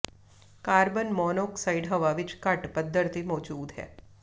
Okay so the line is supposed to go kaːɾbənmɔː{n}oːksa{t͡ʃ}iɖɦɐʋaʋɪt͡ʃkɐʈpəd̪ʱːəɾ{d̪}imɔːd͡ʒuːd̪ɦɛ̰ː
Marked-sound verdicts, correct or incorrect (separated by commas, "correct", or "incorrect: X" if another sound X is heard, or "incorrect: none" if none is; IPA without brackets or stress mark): correct, incorrect: none, incorrect: t̪